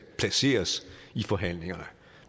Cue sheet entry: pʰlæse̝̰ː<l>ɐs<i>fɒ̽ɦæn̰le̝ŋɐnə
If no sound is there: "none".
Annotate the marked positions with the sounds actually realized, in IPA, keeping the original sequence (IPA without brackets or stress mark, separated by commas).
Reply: none, i